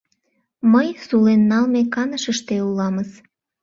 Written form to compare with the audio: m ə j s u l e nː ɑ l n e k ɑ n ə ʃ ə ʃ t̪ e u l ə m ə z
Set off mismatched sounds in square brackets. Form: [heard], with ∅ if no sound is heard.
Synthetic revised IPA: m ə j s u l e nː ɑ l [m] e k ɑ n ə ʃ ə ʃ t̪ e u l [ɑ] m ə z